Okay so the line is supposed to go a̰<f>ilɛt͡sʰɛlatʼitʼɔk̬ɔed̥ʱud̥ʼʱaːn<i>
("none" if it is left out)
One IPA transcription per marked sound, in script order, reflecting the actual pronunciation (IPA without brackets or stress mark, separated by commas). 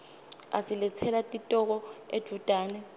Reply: s, ɛ